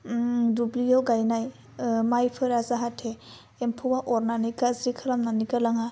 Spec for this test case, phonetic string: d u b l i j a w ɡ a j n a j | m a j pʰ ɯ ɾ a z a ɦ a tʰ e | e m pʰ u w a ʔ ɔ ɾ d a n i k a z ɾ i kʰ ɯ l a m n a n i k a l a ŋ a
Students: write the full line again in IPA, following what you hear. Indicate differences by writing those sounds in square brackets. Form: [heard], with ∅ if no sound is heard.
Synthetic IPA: d u b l i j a w ɡ a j n a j | m a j pʰ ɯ ɾ a z a ɦ a tʰ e | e m pʰ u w a ʔ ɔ ɾ [n] a n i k a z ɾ i kʰ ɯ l a m n a n i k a l a ŋ a